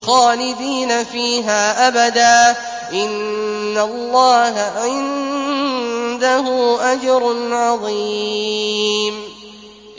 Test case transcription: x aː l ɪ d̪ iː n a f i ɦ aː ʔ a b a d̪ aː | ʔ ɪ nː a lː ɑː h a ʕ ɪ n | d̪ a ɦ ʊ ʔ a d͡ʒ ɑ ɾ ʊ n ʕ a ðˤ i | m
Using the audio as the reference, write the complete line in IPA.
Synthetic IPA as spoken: x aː l ɪ d̪ iː n a f iː ɦ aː ʔ a b a d̪ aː | ʔ ɪ nː a lː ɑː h a ʕ ɪ n | d̪ a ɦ ʊ ʔ a d͡ʒ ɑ ɾ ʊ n ʕ ɑ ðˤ i | m